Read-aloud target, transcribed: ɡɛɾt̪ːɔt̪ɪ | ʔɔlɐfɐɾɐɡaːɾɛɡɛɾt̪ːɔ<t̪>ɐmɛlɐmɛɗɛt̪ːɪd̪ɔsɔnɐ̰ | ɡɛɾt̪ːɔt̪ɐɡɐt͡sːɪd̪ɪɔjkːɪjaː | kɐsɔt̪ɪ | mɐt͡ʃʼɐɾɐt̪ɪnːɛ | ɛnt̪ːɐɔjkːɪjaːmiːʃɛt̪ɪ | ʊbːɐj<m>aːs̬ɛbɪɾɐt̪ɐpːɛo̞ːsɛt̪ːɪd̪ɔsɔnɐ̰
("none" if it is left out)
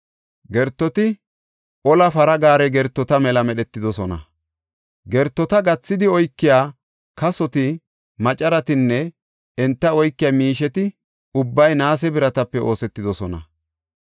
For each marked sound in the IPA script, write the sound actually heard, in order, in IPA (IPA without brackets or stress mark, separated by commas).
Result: t̪, n